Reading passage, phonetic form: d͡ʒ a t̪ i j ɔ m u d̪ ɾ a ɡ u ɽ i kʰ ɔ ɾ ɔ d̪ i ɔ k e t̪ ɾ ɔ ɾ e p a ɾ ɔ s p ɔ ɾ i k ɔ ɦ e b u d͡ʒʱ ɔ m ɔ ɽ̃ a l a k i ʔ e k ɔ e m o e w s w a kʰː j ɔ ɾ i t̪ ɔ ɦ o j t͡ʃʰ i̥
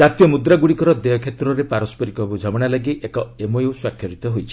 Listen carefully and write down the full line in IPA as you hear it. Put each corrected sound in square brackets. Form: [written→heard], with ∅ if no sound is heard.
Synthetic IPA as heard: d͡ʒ a t̪ i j ɔ m u d̪ ɾ a ɡ u ɽ i [kʰ→k] ɔ ɾ ɔ d̪ [i→e] ɔ [k→kʰ] e t̪ ɾ ɔ ɾ e p a ɾ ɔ s p ɔ ɾ i k ɔ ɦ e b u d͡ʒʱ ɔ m ɔ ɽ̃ a l a [k→ɡ] i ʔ e k ɔ e m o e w s w a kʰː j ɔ ɾ i t̪ ɔ ɦ o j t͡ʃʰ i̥

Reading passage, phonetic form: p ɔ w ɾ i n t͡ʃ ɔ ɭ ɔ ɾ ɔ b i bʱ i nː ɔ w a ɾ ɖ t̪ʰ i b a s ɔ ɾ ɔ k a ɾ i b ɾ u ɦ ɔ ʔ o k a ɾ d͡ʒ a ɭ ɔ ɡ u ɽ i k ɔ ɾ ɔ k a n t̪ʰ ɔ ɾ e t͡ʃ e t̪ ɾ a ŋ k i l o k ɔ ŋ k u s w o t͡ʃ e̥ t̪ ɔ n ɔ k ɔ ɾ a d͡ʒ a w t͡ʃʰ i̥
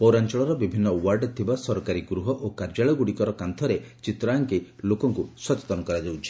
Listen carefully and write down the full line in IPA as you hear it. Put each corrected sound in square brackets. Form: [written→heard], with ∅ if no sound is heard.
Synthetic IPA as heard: p ɔ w ɾ [i→a] n t͡ʃ ɔ ɭ ɔ ɾ ɔ b i bʱ i nː ɔ w a ɾ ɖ t̪ʰ i b a s ɔ ɾ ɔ k a ɾ i [b→ɡ] ɾ u ɦ ɔ ʔ o k a ɾ d͡ʒ a ɭ ɔ ɡ u ɽ i k ɔ ɾ ɔ k a n t̪ʰ ɔ ɾ e t͡ʃ [e→i] t̪ ɾ a ŋ k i l o k ɔ ŋ k u s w [o→ɔ] t͡ʃ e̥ t̪ ɔ n ɔ k ɔ ɾ a d͡ʒ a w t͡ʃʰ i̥

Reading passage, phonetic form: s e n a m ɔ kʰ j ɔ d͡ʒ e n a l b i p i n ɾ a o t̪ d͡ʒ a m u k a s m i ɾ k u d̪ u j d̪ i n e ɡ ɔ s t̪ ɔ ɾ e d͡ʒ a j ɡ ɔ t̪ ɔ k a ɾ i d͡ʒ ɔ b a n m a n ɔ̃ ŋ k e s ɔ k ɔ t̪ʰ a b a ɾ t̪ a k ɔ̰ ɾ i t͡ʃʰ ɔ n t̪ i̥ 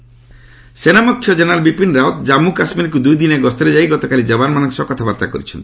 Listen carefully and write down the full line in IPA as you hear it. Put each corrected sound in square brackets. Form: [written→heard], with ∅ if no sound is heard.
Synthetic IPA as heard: s e n a m ɔ kʰ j ɔ d͡ʒ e n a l b i p i n ɾ a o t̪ d͡ʒ a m u k a s m i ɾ k u d̪ u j d̪ i n e ɡ ɔ s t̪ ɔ ɾ e d͡ʒ a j ɡ ɔ t̪ ɔ k a [ɾ→l] i d͡ʒ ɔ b a n m a n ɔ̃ ŋ k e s ɔ k ɔ t̪ʰ a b a ɾ t̪ a k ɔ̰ ɾ i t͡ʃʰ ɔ n t̪ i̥

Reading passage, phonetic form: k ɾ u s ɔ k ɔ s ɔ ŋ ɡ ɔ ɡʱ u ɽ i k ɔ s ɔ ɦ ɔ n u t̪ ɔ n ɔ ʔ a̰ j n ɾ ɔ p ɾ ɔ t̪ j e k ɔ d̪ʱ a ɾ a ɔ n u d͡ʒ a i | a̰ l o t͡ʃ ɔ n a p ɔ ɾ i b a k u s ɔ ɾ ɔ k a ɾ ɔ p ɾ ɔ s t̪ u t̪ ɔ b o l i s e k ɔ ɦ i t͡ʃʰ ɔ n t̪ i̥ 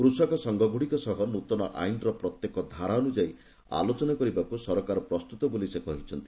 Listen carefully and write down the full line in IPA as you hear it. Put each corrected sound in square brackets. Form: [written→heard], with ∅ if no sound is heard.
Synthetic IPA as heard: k ɾ u s ɔ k ɔ s ɔ ŋ ɡ ɔ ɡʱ u ɽ i k ɔ s ɔ ɦ ɔ n u t̪ ɔ n ɔ ʔ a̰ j n ɾ ɔ p ɾ ɔ t̪ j e k ɔ d̪ʱ a ɾ a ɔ n u d͡ʒ a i | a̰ l o t͡ʃ ɔ n a [p→k] ɔ ɾ i b a k u s ɔ ɾ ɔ k a ɾ ɔ p ɾ ɔ s t̪ u t̪ ɔ b o l i s e k ɔ ɦ i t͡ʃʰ ɔ n t̪ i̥

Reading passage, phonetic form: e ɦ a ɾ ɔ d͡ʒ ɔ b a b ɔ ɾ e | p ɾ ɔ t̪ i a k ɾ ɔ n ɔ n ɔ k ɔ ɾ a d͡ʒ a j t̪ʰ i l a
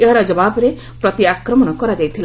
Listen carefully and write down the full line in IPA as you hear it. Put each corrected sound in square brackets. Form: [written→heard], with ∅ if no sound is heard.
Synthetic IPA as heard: e ɦ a ɾ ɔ d͡ʒ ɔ b a b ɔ ɾ e | p ɾ ɔ t̪ i a k ɾ ɔ [n→m] ɔ n ɔ k ɔ ɾ a d͡ʒ a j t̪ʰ i l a

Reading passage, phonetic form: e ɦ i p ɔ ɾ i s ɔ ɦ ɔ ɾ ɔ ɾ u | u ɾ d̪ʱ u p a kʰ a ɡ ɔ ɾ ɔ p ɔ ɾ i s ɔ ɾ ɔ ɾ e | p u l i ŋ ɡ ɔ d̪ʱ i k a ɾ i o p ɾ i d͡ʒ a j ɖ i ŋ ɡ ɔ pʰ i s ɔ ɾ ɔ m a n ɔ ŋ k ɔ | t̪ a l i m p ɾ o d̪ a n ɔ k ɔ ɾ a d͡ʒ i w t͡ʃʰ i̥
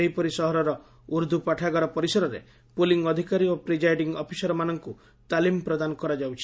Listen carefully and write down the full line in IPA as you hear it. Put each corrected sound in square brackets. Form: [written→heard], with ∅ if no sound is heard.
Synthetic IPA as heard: e ɦ i p ɔ ɾ i s ɔ ɦ ɔ ɾ ɔ ɾ [u→ɔ] | u ɾ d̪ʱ u p a [kʰ→ʈʰ] a ɡ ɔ ɾ ɔ p ɔ ɾ i s ɔ ɾ ɔ ɾ e | p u l i ŋ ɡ ɔ d̪ʱ i k a ɾ i o p ɾ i d͡ʒ a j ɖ i ŋ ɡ ɔ pʰ i s ɔ ɾ ɔ m a n ɔ ŋ k [ɔ→u] | t̪ a l i m p ɾ [o→ɔ] d̪ a n ɔ k ɔ ɾ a d͡ʒ [i→a] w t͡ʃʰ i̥

